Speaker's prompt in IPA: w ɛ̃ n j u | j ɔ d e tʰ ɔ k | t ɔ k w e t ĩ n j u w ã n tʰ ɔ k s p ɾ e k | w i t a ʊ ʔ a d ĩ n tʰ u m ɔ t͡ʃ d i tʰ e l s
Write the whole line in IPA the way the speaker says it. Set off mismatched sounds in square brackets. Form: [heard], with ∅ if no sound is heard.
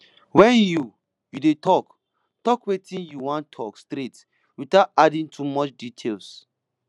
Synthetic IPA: w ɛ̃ n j u | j [u] d e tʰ ɔ k | t ɔ k w e t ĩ n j u w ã n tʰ ɔ k s [t] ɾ e [t] | w i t a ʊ [t] a d ĩ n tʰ u m ɔ t͡ʃ d i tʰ e l s